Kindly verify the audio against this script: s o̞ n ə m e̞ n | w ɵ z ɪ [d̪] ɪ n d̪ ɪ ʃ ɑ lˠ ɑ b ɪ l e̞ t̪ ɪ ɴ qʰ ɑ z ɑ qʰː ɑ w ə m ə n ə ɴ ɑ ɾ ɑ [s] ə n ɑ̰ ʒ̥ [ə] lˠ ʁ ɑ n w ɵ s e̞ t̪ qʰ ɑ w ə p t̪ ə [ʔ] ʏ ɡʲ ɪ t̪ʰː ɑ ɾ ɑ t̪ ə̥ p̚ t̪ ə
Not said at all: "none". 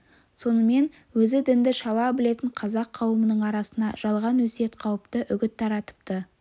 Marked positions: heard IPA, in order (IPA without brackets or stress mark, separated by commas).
d̪, s, ɑ, ʔ